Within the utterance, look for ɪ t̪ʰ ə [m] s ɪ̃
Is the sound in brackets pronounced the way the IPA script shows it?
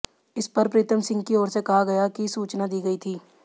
yes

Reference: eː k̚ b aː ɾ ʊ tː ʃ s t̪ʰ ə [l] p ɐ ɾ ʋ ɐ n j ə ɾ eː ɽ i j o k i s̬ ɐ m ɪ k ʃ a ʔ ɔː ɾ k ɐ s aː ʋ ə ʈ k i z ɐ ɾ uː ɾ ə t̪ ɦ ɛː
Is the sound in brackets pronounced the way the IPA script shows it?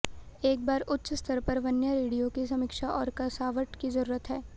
no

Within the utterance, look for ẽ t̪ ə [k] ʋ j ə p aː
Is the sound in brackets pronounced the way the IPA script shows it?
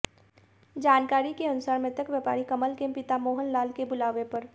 yes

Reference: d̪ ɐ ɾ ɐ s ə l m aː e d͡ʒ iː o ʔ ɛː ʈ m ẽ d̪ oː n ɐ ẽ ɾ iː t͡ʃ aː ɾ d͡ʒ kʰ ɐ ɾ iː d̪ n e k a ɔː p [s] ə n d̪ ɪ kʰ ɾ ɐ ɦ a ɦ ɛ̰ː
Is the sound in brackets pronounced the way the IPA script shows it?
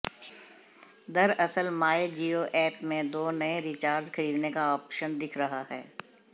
no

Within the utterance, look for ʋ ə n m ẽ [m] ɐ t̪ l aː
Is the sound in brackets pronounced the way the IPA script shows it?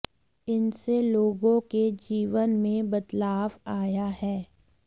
no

